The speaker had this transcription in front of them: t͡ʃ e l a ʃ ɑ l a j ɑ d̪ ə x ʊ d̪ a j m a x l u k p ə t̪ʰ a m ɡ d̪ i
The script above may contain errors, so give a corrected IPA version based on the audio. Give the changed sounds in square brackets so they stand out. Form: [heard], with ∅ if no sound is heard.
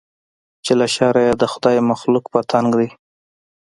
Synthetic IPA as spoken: t͡ʃ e l a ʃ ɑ [ɾ] a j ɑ d̪ ə x ʊ d̪ [ɑ] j m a x l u k p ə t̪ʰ a [ŋ] ɡ d̪ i